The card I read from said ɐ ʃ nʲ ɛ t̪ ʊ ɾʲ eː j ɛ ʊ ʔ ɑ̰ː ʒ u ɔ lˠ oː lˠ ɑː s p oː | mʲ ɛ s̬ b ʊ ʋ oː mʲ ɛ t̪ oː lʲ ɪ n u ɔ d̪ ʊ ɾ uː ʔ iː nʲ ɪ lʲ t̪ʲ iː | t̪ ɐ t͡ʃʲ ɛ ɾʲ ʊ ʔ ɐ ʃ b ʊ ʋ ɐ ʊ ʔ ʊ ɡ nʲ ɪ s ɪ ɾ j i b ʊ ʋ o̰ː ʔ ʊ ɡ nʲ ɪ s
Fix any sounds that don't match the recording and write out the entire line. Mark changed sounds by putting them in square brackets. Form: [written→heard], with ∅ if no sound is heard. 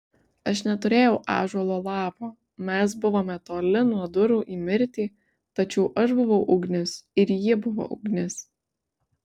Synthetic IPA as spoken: ɐ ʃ nʲ ɛ t̪ ʊ ɾʲ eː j ɛ ʊ ʔ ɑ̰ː ʒ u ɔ lˠ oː lˠ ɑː [s→∅] p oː | mʲ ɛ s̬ b ʊ ʋ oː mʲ ɛ t̪ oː lʲ ɪ n u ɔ d̪ ʊ ɾ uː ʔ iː [nʲ→mʲ] ɪ [lʲ→ɾʲ] t̪ʲ iː | t̪ ɐ t͡ʃʲ ɛ [ɾʲ→∅] ʊ ʔ ɐ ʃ b ʊ ʋ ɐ ʊ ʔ ʊ ɡ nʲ ɪ s ɪ ɾ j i b ʊ ʋ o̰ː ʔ ʊ ɡ nʲ ɪ s